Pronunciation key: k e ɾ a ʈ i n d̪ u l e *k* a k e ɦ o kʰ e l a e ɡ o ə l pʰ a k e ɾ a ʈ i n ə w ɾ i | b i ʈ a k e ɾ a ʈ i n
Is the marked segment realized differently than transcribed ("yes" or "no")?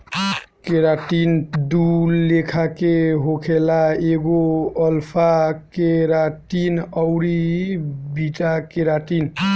yes